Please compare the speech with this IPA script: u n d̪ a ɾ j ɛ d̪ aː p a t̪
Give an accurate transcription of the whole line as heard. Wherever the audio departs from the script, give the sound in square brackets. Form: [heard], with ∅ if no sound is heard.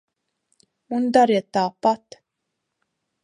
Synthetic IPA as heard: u n d̪ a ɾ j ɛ [t̪] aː p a t̪